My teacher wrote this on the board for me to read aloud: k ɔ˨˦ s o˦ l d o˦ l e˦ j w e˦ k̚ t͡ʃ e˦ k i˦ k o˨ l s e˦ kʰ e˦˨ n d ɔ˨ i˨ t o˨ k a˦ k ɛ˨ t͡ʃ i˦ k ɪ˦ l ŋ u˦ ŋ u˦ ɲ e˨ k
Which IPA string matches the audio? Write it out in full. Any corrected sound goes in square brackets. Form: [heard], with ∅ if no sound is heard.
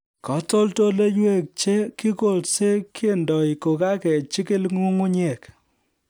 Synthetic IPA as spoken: k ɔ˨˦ [t] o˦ l [t] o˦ l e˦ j w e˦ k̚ t͡ʃ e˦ k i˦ k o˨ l s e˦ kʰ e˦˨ n d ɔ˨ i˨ [k] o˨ k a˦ k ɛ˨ t͡ʃ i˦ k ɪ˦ l ŋ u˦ ŋ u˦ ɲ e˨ k